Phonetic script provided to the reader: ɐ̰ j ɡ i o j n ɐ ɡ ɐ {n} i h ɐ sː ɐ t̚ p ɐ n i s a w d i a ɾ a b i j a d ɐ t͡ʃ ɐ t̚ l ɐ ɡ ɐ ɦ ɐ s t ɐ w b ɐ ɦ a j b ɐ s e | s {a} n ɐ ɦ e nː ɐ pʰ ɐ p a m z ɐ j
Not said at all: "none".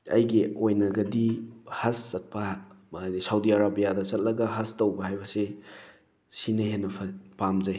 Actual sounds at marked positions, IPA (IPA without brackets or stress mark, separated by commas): d, i